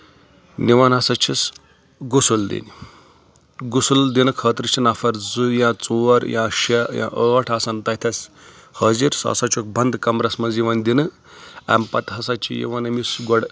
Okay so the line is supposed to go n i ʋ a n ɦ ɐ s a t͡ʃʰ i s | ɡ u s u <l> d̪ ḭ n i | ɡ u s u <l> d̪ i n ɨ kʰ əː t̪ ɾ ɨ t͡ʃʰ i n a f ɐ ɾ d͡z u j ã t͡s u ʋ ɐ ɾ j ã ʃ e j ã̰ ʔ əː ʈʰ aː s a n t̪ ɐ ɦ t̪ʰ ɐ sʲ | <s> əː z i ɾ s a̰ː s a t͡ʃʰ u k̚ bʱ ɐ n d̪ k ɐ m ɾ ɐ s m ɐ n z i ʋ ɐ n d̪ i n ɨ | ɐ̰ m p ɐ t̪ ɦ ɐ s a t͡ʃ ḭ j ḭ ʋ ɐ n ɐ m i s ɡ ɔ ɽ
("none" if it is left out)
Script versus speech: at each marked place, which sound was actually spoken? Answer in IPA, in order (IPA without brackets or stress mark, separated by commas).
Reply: l, l, h